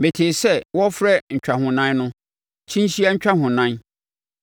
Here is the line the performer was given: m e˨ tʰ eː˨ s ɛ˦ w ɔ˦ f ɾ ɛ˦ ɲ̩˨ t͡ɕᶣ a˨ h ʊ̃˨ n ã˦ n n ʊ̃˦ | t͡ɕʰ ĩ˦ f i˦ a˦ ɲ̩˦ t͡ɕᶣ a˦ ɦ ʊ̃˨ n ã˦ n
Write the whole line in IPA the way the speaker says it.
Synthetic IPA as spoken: m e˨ tʰ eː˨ s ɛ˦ w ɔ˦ f ɾ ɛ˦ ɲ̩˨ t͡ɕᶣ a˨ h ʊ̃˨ n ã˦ n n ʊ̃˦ | t͡ɕʰ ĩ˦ ɕ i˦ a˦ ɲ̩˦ t͡ɕᶣ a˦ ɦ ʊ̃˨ n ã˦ n